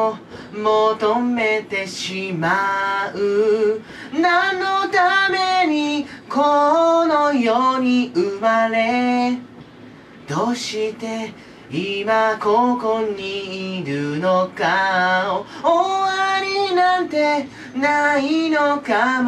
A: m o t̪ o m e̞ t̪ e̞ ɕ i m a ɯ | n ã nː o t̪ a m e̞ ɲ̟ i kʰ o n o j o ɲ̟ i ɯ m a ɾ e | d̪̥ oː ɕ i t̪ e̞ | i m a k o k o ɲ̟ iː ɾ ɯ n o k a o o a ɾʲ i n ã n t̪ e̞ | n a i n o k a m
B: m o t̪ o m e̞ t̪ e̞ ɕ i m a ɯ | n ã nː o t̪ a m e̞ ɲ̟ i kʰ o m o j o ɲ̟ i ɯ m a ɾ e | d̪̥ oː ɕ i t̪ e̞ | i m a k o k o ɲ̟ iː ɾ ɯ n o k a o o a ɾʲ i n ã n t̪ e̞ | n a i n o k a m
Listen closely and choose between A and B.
A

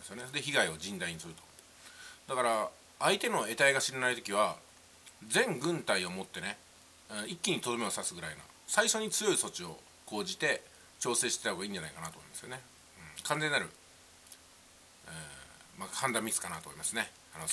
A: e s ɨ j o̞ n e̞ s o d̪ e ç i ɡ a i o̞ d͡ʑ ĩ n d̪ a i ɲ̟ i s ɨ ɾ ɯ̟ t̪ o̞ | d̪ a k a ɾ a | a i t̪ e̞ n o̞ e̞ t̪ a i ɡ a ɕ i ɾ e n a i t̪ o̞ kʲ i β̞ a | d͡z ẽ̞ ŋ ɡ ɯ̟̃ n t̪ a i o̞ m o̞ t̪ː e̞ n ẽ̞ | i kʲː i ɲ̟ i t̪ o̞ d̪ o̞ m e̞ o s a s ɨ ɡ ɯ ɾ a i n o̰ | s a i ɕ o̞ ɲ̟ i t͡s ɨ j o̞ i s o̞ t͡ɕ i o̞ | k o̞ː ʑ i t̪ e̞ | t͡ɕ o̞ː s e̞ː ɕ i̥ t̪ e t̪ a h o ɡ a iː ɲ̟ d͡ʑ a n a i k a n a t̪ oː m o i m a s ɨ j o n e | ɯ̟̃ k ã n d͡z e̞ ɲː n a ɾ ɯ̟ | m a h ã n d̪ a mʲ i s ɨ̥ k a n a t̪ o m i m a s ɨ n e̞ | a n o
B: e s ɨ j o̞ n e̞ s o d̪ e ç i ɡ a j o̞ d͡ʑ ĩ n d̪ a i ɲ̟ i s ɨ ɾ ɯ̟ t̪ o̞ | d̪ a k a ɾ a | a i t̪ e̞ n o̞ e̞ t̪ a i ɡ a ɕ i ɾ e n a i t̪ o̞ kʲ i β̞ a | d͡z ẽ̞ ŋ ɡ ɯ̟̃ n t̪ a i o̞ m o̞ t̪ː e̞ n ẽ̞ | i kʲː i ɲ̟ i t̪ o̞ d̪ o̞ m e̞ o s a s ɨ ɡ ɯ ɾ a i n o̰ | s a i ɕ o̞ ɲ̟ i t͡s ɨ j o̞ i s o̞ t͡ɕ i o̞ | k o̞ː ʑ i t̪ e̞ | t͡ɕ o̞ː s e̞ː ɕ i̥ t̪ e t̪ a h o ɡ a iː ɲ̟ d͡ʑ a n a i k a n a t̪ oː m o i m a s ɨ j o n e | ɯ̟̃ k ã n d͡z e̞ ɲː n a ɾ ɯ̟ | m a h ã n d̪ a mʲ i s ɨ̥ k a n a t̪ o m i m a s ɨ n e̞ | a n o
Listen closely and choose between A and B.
A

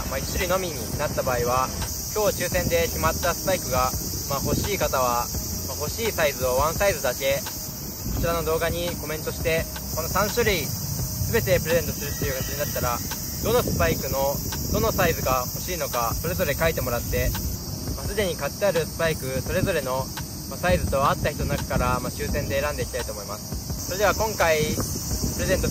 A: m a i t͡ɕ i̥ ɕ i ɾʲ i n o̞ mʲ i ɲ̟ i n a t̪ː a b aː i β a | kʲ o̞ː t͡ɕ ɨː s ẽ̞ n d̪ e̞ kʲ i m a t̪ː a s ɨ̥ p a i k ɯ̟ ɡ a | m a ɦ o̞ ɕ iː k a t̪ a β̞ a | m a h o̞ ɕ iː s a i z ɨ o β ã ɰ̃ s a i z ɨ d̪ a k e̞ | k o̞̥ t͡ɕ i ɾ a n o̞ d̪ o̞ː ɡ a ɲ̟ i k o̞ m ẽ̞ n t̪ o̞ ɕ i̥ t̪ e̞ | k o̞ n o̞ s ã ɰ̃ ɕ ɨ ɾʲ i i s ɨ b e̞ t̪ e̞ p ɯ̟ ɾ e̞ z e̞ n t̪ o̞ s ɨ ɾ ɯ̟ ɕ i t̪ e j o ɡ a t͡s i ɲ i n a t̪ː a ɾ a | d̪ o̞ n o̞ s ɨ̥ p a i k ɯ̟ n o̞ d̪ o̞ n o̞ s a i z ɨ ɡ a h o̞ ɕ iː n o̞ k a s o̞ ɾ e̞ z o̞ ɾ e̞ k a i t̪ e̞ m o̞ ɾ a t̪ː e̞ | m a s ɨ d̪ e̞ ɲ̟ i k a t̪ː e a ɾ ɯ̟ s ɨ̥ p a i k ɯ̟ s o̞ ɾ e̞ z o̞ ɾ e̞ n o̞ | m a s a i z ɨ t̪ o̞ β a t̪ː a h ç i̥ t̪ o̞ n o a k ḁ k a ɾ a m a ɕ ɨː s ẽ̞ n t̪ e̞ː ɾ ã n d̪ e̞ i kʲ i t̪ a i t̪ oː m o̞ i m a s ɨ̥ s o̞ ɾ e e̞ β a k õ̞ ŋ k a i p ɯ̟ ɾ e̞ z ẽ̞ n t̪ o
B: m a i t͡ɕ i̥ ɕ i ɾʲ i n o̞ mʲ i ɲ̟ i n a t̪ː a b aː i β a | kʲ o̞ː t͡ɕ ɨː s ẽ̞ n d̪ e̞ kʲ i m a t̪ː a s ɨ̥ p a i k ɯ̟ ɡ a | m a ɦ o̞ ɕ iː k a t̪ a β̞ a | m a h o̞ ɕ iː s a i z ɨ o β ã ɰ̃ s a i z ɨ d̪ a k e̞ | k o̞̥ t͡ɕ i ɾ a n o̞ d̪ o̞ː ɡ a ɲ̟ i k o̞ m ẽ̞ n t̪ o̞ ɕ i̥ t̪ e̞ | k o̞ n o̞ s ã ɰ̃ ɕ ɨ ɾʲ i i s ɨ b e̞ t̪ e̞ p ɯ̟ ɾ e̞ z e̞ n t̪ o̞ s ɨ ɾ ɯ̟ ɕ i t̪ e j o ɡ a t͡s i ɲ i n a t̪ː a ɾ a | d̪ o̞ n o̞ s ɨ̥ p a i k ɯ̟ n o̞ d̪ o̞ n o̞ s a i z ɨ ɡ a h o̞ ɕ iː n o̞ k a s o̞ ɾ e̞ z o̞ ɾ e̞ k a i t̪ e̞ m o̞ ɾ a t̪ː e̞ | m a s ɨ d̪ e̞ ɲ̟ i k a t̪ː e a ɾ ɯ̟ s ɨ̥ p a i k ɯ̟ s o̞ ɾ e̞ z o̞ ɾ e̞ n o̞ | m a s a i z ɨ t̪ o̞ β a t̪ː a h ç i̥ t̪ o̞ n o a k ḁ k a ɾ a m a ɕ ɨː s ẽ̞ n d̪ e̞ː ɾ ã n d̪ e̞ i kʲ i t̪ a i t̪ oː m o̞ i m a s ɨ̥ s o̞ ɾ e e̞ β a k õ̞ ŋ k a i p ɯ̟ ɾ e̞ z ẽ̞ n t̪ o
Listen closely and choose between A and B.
B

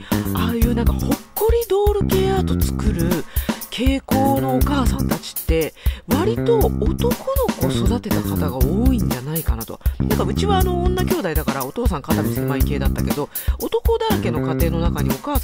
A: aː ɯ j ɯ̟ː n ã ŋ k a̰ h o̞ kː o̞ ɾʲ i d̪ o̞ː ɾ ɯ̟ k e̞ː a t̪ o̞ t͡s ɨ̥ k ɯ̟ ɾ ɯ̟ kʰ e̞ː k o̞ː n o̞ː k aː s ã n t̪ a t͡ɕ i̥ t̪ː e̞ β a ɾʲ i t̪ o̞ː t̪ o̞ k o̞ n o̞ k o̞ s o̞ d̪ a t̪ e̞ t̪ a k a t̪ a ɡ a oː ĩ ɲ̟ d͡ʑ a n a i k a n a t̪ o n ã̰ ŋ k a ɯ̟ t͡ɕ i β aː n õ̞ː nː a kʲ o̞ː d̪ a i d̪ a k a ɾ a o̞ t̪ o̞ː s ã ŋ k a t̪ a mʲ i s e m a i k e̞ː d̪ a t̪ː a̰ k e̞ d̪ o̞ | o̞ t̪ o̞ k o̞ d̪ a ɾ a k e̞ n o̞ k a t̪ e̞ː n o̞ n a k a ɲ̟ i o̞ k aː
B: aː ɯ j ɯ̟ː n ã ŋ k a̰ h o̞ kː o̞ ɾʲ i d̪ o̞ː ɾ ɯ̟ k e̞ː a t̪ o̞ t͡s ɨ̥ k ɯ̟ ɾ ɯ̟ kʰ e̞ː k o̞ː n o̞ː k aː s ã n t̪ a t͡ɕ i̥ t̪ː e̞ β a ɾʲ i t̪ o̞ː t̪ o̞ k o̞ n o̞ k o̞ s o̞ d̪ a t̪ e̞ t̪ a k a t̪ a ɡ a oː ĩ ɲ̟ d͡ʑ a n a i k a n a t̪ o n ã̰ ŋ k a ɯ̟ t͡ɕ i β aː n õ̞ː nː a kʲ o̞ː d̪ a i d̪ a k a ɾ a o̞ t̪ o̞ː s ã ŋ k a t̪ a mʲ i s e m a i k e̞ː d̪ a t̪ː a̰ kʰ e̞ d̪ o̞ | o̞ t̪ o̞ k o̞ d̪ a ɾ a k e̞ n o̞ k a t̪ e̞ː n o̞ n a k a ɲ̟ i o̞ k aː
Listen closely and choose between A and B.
A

